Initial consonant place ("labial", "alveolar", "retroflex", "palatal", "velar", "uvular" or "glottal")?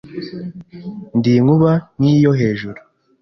alveolar